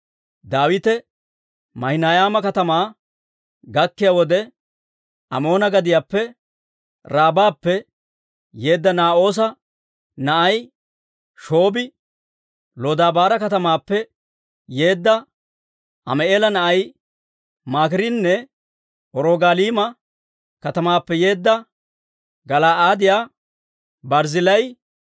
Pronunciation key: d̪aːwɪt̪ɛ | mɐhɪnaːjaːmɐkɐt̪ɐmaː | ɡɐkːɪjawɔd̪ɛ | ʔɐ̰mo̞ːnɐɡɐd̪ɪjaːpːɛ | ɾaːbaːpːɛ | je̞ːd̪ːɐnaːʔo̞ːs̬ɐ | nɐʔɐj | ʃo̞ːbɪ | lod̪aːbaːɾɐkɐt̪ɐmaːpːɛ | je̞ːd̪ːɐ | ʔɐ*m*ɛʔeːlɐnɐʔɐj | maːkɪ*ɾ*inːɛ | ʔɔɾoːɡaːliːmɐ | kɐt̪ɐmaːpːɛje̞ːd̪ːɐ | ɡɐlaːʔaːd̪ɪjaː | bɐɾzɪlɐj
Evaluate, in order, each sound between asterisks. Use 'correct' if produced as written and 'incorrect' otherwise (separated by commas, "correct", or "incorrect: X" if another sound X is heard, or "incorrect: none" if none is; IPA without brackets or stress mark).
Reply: correct, correct